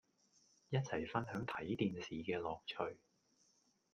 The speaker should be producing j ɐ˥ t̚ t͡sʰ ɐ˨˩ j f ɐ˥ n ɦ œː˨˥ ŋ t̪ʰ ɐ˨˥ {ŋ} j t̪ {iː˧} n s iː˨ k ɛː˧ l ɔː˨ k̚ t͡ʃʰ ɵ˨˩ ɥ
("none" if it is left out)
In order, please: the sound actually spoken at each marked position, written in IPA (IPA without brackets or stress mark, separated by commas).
none, iː˧